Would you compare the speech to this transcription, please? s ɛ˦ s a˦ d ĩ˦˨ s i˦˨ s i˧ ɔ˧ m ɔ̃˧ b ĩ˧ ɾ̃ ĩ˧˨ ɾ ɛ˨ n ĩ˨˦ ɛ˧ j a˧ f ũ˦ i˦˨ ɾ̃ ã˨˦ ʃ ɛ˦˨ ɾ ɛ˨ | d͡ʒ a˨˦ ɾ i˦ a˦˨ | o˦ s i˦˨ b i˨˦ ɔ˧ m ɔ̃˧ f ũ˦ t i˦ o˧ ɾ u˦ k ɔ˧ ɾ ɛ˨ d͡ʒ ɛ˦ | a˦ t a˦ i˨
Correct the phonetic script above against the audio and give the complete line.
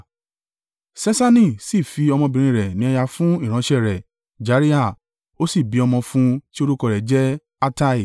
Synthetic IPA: s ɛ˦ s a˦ n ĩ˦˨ s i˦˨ f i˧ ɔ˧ m ɔ̃˧ b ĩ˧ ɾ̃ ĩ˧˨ ɾ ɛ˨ n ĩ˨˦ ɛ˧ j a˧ f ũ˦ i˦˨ ɾ̃ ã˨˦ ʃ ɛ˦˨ ɾ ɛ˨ | d͡ʒ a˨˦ ɾ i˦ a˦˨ | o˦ s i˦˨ b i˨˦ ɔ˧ m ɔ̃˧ f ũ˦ t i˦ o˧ ɾ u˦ k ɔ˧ ɾ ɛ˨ d͡ʒ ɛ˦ | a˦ t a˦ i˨